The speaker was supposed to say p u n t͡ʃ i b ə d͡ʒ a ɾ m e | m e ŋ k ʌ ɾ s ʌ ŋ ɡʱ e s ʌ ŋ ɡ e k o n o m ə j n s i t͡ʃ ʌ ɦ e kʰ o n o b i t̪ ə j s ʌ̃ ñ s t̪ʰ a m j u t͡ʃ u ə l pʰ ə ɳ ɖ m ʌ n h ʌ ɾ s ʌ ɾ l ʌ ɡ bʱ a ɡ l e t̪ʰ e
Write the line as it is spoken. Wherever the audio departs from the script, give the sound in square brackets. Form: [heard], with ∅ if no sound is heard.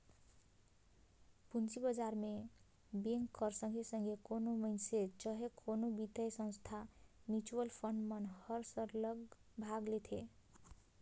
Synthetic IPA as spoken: p u n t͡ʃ i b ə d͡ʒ a ɾ m e | [b] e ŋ k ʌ ɾ s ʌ ŋ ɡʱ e s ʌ ŋ ɡ e k o n o m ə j n s [e] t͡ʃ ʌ ɦ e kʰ o n o b i t̪ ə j s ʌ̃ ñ s t̪ʰ a m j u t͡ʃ u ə l pʰ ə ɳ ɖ m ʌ n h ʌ ɾ s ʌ ɾ l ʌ ɡ bʱ a ɡ l e t̪ʰ e